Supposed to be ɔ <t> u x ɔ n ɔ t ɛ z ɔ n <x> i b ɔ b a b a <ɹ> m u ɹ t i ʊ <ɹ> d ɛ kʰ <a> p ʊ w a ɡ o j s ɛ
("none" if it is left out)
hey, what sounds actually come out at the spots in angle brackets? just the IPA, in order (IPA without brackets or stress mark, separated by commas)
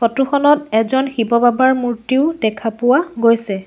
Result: t, x, ɹ, none, a